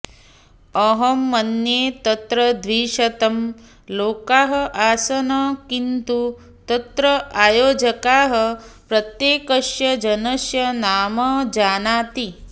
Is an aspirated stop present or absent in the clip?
absent